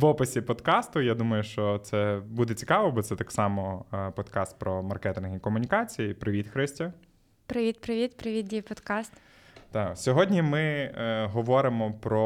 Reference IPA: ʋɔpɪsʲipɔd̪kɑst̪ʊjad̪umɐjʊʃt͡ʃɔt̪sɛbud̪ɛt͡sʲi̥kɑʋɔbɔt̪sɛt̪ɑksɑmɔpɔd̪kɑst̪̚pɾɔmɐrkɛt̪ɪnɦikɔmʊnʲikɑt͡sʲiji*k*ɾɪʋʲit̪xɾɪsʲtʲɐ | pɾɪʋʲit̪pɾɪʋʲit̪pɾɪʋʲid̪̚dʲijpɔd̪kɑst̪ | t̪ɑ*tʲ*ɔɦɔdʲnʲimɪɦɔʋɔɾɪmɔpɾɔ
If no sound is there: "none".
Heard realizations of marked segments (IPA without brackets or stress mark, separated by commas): p, sʲ